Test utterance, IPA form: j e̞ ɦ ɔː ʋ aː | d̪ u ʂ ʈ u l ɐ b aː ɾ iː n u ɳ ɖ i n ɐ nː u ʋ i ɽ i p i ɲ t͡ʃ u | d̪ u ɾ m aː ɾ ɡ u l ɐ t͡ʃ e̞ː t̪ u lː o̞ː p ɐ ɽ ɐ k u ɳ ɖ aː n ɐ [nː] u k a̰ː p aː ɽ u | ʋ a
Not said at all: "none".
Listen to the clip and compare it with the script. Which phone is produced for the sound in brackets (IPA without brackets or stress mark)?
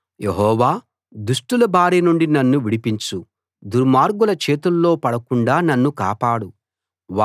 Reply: nː